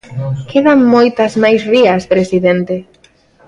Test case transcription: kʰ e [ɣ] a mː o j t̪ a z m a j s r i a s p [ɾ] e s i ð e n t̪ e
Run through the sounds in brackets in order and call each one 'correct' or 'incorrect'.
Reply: incorrect, correct

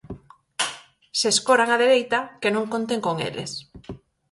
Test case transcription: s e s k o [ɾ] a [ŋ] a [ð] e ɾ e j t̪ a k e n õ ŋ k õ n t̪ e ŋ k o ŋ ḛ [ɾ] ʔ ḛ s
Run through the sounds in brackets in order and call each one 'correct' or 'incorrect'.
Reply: correct, correct, correct, incorrect

